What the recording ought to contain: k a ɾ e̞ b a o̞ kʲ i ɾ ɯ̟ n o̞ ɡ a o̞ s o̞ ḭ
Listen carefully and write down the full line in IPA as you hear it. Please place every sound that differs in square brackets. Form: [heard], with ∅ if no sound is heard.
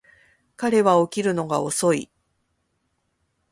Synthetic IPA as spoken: k a ɾ e̞ [β] a o̞ kʲ i ɾ ɯ̟ n o̞ ɡ a o̞ s o̞ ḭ